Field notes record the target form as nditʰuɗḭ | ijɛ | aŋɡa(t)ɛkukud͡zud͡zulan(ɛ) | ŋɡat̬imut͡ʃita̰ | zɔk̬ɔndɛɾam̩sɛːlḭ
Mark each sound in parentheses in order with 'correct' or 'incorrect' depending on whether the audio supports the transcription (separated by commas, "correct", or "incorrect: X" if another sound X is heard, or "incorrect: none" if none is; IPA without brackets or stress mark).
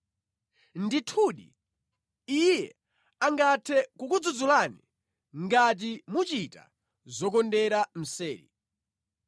incorrect: tʰ, incorrect: i